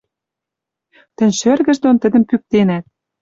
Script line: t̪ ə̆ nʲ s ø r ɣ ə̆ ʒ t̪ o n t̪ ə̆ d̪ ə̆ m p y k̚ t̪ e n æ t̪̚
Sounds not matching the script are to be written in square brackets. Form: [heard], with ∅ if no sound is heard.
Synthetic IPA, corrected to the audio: t̪ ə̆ nʲ [ʃ] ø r ɣ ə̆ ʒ [d̪] o n t̪ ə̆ d̪ ə̆ m p y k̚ t̪ e n æ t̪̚